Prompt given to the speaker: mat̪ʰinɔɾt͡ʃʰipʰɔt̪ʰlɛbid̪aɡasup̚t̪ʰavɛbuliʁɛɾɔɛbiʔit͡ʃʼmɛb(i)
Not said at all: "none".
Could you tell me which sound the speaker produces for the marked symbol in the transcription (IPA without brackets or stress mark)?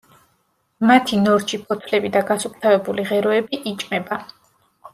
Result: a